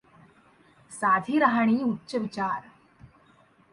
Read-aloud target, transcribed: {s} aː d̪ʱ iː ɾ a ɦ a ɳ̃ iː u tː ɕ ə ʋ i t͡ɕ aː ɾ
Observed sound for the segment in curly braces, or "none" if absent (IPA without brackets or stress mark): s